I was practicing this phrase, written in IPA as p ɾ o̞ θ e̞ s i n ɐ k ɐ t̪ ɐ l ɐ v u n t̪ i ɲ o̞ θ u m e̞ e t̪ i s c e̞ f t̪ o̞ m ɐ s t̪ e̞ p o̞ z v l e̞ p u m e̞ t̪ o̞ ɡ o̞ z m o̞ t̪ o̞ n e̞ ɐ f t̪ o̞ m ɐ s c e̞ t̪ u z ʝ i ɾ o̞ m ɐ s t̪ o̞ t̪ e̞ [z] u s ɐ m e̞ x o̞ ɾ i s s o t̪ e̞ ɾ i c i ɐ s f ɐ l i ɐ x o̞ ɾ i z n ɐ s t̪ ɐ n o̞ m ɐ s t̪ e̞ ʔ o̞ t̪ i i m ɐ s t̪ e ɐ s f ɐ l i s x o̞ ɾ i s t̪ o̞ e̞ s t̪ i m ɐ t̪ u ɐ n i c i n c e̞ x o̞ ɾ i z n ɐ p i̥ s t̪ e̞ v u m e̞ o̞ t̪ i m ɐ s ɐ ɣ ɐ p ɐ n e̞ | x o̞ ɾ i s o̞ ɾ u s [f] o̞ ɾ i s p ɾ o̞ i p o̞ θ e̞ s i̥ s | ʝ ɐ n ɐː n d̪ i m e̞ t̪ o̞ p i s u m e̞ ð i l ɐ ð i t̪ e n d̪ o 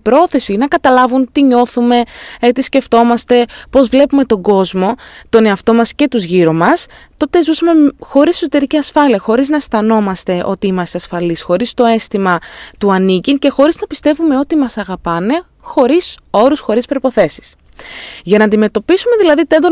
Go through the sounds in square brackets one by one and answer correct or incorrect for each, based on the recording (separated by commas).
correct, incorrect